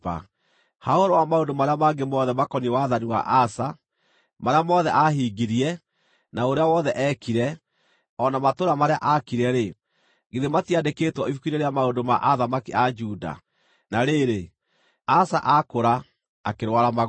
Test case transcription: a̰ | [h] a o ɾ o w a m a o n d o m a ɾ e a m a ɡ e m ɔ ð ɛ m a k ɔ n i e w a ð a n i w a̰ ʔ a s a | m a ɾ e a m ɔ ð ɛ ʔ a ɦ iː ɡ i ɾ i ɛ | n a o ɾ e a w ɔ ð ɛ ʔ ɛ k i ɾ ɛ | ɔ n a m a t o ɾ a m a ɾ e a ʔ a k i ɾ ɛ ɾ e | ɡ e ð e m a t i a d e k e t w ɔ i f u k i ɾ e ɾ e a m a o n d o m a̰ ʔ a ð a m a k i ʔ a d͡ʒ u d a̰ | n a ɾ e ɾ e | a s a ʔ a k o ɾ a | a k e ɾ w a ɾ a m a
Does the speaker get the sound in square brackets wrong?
no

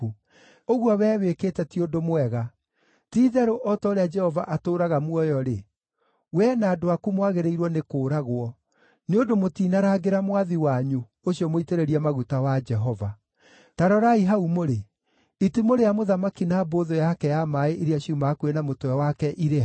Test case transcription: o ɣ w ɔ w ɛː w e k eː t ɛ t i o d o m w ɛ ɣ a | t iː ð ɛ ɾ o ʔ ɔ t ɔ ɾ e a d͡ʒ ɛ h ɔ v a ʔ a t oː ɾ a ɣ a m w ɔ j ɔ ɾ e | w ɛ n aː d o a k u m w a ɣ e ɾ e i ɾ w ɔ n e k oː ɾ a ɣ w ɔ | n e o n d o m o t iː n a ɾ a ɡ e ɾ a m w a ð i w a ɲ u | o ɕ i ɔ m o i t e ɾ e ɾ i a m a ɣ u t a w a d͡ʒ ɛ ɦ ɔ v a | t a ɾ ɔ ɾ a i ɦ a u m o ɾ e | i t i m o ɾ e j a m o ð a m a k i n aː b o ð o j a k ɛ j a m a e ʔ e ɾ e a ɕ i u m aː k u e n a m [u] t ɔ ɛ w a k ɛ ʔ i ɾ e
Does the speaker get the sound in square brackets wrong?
yes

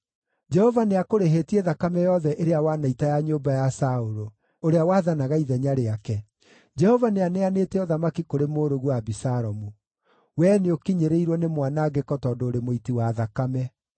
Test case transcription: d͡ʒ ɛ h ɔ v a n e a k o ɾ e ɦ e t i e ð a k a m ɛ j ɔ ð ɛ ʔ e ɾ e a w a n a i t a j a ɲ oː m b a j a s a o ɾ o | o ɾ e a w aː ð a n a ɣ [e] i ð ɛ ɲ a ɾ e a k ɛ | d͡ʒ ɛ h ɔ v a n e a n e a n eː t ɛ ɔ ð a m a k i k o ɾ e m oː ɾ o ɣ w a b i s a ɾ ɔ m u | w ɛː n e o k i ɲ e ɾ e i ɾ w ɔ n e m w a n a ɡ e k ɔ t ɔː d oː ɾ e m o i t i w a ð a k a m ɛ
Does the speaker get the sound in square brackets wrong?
yes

